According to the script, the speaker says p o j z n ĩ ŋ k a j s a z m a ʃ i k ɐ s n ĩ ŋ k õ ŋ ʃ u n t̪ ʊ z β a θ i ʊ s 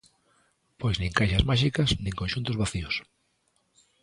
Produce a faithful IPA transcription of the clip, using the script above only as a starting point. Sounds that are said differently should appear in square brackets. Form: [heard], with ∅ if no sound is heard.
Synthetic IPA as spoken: p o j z n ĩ ŋ k a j [ʃ] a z m a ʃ i k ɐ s n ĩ ŋ k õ [n] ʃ u n t̪ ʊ z β a θ i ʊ s